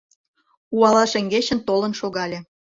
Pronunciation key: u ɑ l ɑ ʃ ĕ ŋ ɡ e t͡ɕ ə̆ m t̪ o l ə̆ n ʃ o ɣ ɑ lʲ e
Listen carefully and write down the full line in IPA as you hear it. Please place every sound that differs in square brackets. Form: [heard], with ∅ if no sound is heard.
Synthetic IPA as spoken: u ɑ l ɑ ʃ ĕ ŋ ɡ e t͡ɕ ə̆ [n] t̪ o l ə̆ n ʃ o ɣ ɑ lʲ e